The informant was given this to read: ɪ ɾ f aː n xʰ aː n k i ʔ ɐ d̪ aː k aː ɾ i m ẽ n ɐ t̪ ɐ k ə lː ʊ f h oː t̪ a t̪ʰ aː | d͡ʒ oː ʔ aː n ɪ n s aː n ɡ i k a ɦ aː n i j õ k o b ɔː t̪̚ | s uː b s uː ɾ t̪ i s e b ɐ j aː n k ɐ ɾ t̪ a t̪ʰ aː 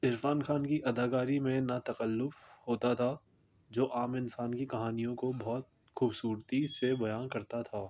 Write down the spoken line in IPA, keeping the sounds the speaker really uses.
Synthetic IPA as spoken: ɪ ɾ f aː n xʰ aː n k i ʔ ɐ d̪ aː k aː ɾ i m ẽ n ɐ t̪ ɐ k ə lː ʊ f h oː t̪ a t̪ʰ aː | d͡ʒ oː ʔ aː m ɪ n s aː n k i k ɐ ɦ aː n i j õ k o b ɔː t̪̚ | x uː b s uː ɾ t̪ i s e b ɐ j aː n k ɐ ɾ t̪ a t̪ʰ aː

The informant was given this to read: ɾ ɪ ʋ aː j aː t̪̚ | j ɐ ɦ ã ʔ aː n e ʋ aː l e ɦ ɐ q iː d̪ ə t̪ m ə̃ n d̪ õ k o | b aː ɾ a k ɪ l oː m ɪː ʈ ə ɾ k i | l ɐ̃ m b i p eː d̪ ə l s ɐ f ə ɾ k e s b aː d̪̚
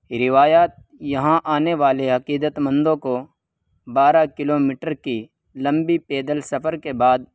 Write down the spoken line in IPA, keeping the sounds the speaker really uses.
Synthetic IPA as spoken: ɾ ɪ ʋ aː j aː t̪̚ | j ɐ ɦ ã ʔ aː n e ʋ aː l e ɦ ɐ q iː d̪ ə t̪ m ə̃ n d̪ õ k o | b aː ɾ a k ɪ l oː m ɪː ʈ ə ɾ k i | l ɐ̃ m b i p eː d̪ ə l s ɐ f ə ɾ k e b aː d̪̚

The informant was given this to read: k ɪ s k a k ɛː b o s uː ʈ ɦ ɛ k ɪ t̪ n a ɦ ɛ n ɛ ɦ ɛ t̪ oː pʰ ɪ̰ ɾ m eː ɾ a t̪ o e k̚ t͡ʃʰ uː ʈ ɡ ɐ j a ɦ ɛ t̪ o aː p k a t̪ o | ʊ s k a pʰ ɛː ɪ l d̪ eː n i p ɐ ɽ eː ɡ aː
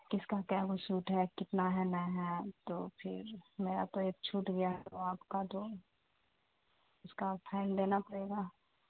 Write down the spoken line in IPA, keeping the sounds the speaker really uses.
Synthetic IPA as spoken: k ɪ s k a k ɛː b o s uː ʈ ɦ ɛ k ɪ t̪ n a ɦ ɛ n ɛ ɦ ɛ t̪ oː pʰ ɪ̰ ɾ m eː ɾ a t̪ o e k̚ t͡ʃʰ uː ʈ ɡ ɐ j a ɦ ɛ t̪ o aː p k a t̪ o | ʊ s k a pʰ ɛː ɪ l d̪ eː n a p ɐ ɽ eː ɡ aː

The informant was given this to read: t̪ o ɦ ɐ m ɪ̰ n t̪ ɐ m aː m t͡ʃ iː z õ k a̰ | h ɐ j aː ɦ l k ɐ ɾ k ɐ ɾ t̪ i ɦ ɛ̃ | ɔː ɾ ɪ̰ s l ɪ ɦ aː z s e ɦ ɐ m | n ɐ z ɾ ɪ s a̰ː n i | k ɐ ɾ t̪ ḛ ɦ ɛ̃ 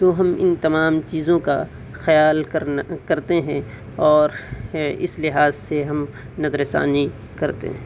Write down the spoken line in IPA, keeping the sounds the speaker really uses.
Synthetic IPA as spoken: t̪ o ɦ ɐ m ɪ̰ n t̪ ɐ m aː m t͡ʃ iː z õ k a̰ | x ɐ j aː l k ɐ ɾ k ɐ ɾ t̪ e ɦ ɛ̃ | ɔː ɾ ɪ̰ s l ɪ ɦ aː z s e ɦ ɐ m | n ɐ z ɾ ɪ s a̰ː n i | k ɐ ɾ t̪ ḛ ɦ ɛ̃

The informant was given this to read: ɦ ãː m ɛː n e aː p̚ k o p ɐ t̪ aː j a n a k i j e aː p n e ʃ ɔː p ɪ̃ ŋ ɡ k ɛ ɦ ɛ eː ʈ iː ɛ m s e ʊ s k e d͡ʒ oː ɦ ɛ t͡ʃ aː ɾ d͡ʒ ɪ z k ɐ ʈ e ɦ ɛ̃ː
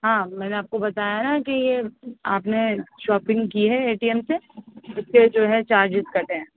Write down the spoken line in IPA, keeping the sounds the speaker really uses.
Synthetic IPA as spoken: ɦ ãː m ɛː n e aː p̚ k o b ɐ t̪ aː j a n a k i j e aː p n e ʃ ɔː p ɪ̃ ŋ ɡ k i ɦ ɛ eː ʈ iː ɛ m s e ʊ s k e d͡ʒ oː ɦ ɛ t͡ʃ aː ɾ d͡ʒ ɪ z k ɐ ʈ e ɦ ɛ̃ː

